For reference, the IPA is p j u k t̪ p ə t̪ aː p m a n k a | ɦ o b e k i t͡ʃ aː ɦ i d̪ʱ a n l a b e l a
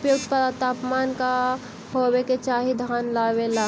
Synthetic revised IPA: p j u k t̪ p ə t̪ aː p m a n k a | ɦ o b e k e t͡ʃ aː ɦ i d̪ʱ a n l a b e l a